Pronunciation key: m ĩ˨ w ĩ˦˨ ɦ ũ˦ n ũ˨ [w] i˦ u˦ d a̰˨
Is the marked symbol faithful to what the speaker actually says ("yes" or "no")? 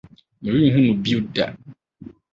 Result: no